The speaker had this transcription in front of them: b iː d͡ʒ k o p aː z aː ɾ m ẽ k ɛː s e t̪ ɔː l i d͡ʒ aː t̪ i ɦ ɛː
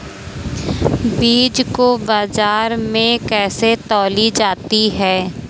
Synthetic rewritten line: b iː d͡ʒ k o b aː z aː ɾ m ẽ k ɛː s e t̪ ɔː l i d͡ʒ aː t̪ i ɦ ɛː